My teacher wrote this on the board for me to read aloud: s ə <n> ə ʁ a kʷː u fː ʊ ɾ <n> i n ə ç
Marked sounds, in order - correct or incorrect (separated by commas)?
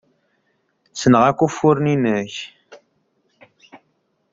correct, correct